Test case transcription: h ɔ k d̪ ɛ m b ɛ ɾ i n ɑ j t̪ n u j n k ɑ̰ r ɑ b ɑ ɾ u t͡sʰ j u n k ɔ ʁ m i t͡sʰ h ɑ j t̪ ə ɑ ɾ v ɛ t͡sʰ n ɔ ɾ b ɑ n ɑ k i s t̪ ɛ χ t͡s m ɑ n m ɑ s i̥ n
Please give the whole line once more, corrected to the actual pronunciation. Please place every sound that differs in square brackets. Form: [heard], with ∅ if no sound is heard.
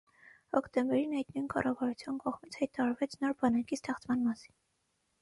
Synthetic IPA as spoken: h ɔ k [t̪] ɛ m b ɛ ɾ i n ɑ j t̪ n u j n k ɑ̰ r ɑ [v] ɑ ɾ u t͡sʰ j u n k ɔ ʁ m i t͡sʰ h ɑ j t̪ [ɑ] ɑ ɾ v ɛ t͡sʰ n ɔ ɾ b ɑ n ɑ k i s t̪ ɛ χ t͡s m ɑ n m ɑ s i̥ n

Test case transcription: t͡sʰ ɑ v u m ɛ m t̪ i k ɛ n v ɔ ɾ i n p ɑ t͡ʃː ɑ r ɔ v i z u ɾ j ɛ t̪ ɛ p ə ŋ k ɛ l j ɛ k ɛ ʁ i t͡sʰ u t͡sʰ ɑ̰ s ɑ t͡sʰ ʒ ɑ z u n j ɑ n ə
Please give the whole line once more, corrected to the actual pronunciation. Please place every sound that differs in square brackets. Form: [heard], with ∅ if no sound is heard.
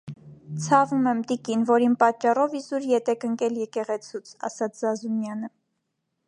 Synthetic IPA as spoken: t͡sʰ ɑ v u m ɛ m t̪ i k [i] n v ɔ ɾ i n p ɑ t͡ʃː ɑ r ɔ v i z u ɾ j ɛ t̪ ɛ [k] ə ŋ k ɛ l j ɛ k ɛ ʁ [ɛ] t͡sʰ u t͡sʰ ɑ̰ s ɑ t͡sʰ [z] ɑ z u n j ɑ n ə

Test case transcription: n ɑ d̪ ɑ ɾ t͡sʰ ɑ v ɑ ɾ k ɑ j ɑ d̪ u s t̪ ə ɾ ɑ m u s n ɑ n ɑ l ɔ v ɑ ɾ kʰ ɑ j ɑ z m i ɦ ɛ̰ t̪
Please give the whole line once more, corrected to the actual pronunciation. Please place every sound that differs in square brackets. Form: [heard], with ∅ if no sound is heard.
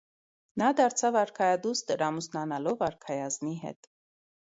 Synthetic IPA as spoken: n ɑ d̪ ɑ ɾ t͡sʰ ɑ v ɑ ɾ [kʰ] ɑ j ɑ d̪ u s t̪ ə ɾ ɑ m u s n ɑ n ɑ l ɔ v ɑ ɾ kʰ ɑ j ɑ z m i ɦ ɛ̰ t̪

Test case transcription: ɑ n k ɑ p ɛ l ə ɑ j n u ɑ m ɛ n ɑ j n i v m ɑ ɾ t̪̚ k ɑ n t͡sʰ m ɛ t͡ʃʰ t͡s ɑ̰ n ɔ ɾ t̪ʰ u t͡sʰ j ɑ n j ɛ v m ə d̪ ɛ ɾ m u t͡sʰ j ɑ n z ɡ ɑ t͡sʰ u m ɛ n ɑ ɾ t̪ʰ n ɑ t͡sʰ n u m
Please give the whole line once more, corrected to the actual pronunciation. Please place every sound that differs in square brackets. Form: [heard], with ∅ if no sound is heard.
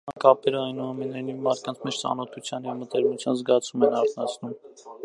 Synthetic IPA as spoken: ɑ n k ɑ p ɛ [ɾ] ə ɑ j n u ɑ m ɛ n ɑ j n i v m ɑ ɾ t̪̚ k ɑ n t͡sʰ m ɛ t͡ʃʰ t͡s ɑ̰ n ɔ [∅] t̪ʰ u t͡sʰ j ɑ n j ɛ v m ə [t̪] ɛ ɾ m u t͡sʰ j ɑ n z ɡ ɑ t͡sʰ u m ɛ n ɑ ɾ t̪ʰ n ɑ t͡sʰ n u m

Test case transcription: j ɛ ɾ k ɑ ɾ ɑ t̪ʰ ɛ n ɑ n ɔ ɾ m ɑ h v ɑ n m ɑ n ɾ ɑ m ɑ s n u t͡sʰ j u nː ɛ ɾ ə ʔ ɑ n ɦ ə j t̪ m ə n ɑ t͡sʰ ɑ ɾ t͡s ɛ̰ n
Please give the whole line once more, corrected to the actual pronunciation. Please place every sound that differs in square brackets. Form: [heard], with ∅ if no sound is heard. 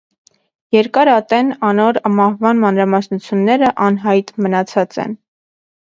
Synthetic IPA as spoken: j ɛ ɾ k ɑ ɾ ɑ [t̪] ɛ n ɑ n ɔ ɾ m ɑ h v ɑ n m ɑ n ɾ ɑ m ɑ s n u t͡sʰ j u nː ɛ ɾ ə ʔ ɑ n ɦ [ɑ] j t̪ m ə n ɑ t͡sʰ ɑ [∅] t͡s ɛ̰ n

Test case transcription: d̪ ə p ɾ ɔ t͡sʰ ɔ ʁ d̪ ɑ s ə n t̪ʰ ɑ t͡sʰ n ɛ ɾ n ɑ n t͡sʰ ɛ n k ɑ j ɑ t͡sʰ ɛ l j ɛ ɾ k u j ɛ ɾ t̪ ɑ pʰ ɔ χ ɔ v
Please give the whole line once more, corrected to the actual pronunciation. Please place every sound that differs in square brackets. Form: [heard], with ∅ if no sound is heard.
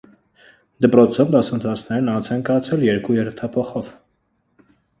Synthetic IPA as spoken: d̪ ə p ɾ ɔ t͡sʰ ɔ [v] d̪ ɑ s ə n t̪ʰ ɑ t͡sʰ n ɛ ɾ n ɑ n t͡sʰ ɛ n k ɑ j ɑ t͡sʰ ɛ l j ɛ ɾ k u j ɛ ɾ [t̪ʰ] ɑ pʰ ɔ χ ɔ v

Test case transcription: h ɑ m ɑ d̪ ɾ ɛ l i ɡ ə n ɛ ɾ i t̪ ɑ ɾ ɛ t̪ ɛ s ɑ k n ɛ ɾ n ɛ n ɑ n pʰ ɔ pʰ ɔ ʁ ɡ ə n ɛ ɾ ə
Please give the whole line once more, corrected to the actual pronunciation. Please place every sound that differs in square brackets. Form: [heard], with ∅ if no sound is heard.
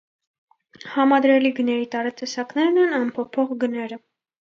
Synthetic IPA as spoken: h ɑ m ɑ d̪ ɾ ɛ l i ɡ ə n ɛ ɾ i t̪ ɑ ɾ ɛ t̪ ɛ s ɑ k n ɛ ɾ n ɛ n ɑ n pʰ ɔ pʰ ɔ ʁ ɡ ə n ɛ ɾ ə

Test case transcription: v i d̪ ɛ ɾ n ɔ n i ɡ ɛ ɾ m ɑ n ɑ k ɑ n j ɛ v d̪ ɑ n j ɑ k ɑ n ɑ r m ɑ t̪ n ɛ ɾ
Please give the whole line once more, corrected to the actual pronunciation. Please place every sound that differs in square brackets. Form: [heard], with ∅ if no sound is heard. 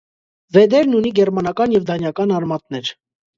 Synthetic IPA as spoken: v [ɛ] d̪ ɛ ɾ n [u] n i ɡ ɛ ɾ m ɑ n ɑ k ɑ n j ɛ v d̪ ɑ n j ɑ k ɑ n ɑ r m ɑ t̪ n ɛ ɾ

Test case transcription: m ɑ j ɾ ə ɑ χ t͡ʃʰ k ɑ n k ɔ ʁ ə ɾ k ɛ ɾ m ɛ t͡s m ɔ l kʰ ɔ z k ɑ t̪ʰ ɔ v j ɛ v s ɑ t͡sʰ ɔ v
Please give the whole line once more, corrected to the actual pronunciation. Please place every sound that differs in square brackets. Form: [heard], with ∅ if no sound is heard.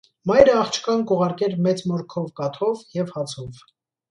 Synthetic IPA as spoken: m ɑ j ɾ ə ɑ χ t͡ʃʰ k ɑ n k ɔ ʁ [ɑ] ɾ k ɛ ɾ m ɛ t͡s m ɔ [ɾ] kʰ ɔ [v] k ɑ t̪ʰ ɔ v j ɛ v [h] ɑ t͡sʰ ɔ v

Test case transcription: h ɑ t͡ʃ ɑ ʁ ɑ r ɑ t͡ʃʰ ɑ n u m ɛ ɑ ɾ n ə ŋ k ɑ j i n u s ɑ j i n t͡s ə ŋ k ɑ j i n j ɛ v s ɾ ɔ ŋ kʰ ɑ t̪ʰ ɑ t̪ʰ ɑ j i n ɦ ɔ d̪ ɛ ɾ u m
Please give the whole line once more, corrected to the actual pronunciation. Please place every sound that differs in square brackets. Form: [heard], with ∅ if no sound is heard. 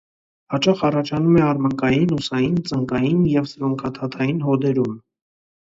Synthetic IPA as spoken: h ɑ t͡ʃ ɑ [χ] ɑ r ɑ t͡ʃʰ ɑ n u m ɛ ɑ ɾ [m] ə ŋ k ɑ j i n u s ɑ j i n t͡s ə ŋ k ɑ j i n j ɛ v s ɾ ɔ ŋ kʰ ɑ t̪ʰ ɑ t̪ʰ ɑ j i n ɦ ɔ d̪ ɛ ɾ u m

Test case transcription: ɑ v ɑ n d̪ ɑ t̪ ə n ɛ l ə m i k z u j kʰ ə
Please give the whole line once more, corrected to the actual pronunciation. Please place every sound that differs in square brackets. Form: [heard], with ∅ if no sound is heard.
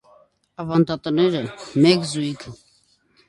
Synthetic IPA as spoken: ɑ v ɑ n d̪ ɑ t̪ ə n ɛ [ɾ] ə m [ɛ] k z u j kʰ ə

